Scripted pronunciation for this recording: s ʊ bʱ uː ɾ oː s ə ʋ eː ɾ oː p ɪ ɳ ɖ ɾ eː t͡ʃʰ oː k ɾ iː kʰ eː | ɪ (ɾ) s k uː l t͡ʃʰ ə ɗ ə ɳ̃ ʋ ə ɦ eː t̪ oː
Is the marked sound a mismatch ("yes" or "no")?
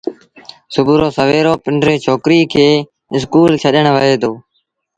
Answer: yes